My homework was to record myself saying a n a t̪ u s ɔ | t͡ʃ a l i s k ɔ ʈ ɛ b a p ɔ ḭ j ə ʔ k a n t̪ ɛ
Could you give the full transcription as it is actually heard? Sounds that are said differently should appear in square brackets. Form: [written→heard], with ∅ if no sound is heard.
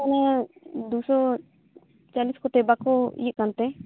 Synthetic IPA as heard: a n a [t̪→d̪] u s ɔ | t͡ʃ a l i s k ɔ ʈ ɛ b a [p→k] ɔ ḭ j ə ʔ k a n t̪ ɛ